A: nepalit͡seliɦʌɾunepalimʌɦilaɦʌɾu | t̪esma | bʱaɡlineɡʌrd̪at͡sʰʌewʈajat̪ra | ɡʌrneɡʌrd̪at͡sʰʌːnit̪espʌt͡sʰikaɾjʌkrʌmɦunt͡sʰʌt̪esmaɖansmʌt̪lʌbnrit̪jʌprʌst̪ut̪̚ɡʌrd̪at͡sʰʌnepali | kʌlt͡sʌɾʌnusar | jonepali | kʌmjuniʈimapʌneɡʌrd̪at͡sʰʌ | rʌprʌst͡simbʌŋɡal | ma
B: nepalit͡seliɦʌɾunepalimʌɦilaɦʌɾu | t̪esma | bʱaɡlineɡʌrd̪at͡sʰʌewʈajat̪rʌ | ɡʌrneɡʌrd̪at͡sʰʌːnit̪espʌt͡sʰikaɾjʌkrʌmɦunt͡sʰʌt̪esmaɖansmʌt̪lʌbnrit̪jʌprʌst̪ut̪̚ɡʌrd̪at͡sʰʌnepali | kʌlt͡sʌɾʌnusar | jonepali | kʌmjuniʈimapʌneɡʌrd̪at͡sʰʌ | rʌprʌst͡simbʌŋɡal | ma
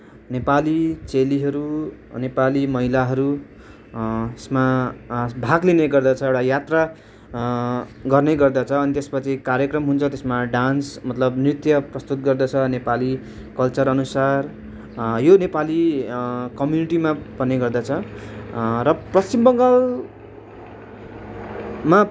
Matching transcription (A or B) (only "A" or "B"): A